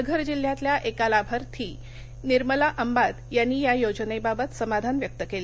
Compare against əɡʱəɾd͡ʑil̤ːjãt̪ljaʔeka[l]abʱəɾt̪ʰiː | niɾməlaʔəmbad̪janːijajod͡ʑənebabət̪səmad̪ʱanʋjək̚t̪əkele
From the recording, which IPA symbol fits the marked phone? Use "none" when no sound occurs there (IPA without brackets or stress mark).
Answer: l